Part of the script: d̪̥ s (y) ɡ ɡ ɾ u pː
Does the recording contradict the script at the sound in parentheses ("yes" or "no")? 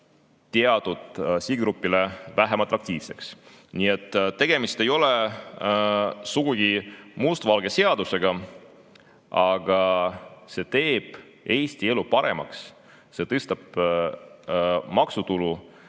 yes